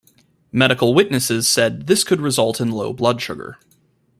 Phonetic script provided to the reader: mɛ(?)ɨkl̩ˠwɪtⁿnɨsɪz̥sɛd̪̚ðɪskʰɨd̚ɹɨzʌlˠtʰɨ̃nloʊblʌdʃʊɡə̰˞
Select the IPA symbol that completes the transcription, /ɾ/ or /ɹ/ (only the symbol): ɾ